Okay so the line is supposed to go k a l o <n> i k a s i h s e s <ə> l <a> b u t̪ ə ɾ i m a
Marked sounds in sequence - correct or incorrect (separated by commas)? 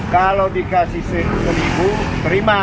incorrect, correct, incorrect